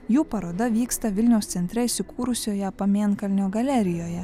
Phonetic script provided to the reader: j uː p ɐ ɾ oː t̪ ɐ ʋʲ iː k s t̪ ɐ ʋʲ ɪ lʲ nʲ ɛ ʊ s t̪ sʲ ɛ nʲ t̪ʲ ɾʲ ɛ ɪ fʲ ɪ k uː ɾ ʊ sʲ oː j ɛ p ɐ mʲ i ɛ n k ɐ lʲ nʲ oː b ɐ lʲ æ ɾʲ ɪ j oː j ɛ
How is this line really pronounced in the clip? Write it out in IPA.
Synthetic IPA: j uː p ɐ ɾ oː d̪ ɐ ʋʲ iː k s t̪ ɐ ʋʲ ɪ lʲ nʲ ɛ ʊ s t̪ sʲ ɛ nʲ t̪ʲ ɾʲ ɛ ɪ sʲ ɪ k uː ɾ ʊ sʲ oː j ɛ p ɐ mʲ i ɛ n k ɐ lʲ nʲ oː ɡ ɐ lʲ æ ɾʲ ɪ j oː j ɛ